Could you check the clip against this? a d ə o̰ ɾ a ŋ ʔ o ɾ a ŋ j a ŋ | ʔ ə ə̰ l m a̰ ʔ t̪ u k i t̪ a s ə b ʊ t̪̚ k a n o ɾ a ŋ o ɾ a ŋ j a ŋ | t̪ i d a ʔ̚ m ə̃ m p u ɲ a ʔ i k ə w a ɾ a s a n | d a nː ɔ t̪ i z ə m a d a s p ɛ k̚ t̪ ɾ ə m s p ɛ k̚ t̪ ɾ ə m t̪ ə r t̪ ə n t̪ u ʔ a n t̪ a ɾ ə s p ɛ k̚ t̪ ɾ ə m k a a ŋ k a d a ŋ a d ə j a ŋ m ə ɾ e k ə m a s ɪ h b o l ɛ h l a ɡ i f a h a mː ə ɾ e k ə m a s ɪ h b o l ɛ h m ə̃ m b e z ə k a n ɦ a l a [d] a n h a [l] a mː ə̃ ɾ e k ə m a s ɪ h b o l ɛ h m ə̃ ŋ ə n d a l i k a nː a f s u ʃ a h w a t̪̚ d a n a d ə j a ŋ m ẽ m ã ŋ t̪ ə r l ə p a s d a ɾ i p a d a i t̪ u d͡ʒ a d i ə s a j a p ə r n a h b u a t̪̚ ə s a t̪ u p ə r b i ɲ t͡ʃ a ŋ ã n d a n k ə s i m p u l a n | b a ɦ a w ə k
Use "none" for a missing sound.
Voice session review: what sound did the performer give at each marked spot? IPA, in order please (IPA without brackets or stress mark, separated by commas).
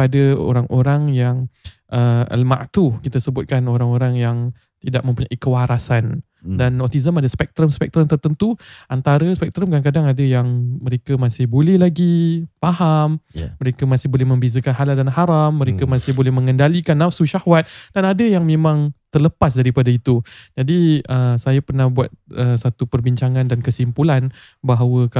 d, ɾ